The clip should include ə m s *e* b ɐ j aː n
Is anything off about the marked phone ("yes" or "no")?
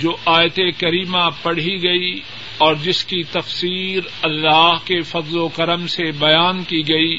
no